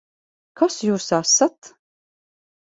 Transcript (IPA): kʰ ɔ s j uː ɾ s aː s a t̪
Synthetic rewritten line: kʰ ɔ s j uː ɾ s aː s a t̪